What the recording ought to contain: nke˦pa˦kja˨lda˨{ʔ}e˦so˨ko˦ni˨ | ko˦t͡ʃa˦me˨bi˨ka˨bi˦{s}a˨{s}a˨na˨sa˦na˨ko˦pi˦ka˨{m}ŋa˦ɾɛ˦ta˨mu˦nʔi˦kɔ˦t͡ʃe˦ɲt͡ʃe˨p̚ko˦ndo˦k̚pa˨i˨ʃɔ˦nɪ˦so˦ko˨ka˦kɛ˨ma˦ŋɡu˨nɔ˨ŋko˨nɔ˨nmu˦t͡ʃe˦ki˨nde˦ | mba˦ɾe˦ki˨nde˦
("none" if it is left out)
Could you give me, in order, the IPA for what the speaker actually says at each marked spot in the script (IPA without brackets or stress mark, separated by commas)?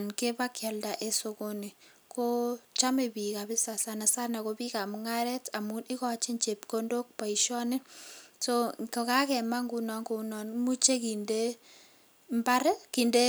ʔ, s, s, m